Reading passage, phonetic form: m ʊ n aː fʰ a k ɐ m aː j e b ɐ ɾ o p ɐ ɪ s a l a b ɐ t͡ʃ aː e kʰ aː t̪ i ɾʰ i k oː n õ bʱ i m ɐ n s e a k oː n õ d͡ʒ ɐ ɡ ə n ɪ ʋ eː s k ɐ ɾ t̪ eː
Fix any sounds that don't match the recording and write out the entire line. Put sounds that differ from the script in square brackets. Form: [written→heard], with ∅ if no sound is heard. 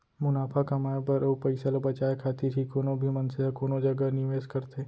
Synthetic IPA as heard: m ʊ n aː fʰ a k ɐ m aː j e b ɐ ɾ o p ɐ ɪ s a l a b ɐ t͡ʃ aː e kʰ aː t̪ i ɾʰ i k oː n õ bʱ i m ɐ n s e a k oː n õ d͡ʒ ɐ ɡ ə n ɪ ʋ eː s k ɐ ɾ t̪ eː